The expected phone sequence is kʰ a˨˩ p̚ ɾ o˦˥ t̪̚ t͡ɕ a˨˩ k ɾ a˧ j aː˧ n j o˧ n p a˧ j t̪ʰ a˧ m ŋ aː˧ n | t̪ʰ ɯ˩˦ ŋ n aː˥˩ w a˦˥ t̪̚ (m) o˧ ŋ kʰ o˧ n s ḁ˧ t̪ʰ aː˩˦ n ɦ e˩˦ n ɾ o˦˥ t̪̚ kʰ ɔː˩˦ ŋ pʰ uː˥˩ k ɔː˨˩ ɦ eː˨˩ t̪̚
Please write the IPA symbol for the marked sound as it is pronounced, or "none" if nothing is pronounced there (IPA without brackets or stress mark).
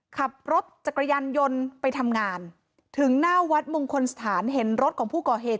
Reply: m